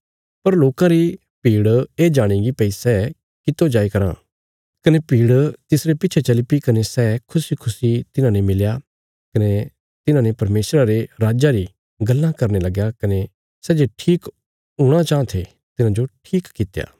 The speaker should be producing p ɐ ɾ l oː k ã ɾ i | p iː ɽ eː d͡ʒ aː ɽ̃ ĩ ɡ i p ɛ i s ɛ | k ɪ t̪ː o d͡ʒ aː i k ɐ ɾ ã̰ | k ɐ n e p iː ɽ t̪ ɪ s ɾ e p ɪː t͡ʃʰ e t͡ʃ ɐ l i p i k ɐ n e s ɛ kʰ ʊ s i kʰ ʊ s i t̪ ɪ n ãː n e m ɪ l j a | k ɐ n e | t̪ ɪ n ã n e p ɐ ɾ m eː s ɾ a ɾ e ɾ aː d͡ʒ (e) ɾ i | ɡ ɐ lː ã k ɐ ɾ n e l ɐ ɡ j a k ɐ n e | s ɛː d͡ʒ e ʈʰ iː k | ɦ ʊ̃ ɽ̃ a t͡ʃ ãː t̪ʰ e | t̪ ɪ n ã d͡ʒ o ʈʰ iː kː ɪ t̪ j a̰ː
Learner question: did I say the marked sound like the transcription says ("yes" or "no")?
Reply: no